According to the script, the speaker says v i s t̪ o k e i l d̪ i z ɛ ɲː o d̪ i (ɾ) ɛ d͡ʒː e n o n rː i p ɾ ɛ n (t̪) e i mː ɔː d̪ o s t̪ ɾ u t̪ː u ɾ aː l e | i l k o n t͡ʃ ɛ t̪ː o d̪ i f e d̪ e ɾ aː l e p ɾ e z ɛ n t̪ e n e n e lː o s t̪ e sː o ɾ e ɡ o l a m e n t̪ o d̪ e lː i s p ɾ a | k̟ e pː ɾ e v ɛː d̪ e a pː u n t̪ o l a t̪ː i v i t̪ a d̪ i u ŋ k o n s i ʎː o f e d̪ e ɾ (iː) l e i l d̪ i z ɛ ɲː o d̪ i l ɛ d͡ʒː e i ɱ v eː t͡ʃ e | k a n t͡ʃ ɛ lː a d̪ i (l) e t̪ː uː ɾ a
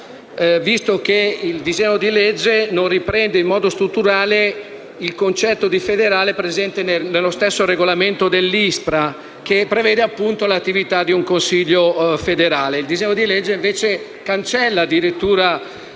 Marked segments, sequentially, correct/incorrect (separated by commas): incorrect, incorrect, incorrect, incorrect